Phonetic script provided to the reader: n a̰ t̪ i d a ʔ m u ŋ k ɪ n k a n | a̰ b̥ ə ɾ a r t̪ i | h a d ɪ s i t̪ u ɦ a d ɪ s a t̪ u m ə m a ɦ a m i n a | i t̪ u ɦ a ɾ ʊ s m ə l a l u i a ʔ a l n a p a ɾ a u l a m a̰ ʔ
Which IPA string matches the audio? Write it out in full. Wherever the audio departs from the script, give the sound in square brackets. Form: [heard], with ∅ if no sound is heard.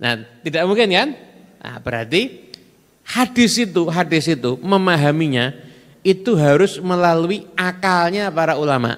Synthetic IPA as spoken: n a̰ t̪ i d a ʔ m u ŋ k ɪ n k a n | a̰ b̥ ə ɾ a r t̪ i | h a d ɪ s i t̪ u ɦ a d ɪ s [i] t̪ u m ə m a ɦ a m i [ɲ] a | i t̪ u ɦ a ɾ ʊ s m ə l a l u i a [k] a l [ɲ] a p a ɾ a u l a m a̰ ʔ

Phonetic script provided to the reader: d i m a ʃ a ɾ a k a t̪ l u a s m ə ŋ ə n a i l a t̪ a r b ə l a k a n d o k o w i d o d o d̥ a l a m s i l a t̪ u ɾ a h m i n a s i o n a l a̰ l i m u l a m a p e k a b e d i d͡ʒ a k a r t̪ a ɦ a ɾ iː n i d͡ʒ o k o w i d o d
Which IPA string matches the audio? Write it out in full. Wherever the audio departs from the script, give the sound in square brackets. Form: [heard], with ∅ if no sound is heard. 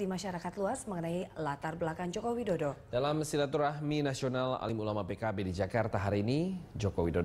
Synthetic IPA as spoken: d i m a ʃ a ɾ a k a t̪ l u a s m ə ŋ ə n a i l a t̪ a r b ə l a k a n [d͡ʒ] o k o w i d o d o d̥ a l a m s i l a t̪ u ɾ a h m i n a s i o n a l a̰ l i m u l a m a p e k a b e d i d͡ʒ a k a r t̪ a ɦ a ɾ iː n i d͡ʒ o k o w i d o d

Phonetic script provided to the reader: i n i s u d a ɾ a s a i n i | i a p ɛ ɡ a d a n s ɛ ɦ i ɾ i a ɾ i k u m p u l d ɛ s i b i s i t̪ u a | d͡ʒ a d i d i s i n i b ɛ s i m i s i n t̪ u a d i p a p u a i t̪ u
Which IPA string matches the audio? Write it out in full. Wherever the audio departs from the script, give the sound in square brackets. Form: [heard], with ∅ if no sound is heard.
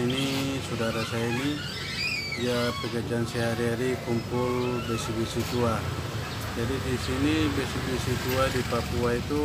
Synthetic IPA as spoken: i n i s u d a ɾ a s a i n i | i a p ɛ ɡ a [d͡ʒ] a n s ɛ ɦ [a] ɾ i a ɾ i k u m p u l [b] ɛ s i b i s i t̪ u a | d͡ʒ a d i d i s i n i b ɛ s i [b] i s i [∅] t̪ u a d i p a p u a i t̪ u

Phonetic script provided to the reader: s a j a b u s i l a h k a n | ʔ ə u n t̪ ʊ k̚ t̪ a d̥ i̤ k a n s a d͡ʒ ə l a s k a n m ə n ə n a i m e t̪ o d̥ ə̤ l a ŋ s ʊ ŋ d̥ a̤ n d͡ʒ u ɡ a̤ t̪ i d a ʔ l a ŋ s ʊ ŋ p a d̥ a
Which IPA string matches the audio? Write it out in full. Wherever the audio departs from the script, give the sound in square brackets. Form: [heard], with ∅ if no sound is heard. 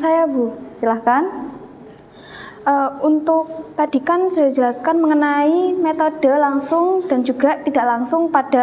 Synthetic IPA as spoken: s a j a b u s i l a h k a n | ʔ ə u n t̪ ʊ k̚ t̪ a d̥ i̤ k a n s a d͡ʒ ə l a s k a n m ə [ŋ] ə n a i m e t̪ o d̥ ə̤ l a ŋ s ʊ ŋ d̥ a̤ n d͡ʒ u ɡ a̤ t̪ i d a ʔ l a ŋ s ʊ ŋ p a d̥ a

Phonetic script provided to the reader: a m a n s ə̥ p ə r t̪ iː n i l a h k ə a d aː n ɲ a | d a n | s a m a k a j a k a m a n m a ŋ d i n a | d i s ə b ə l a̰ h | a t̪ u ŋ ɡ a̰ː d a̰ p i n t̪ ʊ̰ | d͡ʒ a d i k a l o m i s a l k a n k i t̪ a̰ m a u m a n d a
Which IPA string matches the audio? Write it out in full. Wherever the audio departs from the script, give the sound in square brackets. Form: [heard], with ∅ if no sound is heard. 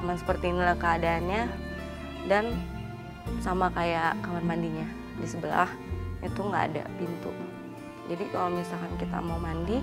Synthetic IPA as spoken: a m a n s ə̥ p ə r t̪ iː n i l a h k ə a d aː n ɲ a | d a n | s a m a k a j a k a m a n m a [n] d i [ɲ] a | d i s ə b ə l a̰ h | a t̪ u ŋ ɡ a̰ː d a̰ p i n t̪ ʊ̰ | d͡ʒ a d i k a l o m i s a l k a n k i t̪ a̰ m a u m a n d [i]

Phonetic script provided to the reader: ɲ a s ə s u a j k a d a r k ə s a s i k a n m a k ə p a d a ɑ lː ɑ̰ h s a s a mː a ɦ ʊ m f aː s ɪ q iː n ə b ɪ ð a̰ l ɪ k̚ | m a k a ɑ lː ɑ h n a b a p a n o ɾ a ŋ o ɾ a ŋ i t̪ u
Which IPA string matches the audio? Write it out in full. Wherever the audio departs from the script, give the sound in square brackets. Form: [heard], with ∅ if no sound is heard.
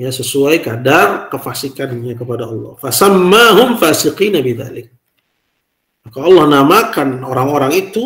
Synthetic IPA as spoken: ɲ a s ə s u a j k a d a r k ə [f] a s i k a n [ɲ] a k ə p a d a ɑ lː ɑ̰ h [f] a s a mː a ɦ ʊ m f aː s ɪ q iː n [a] b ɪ ð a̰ l ɪ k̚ | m a k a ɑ lː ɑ h n a [m] a [k] a n o ɾ a ŋ o ɾ a ŋ i t̪ u

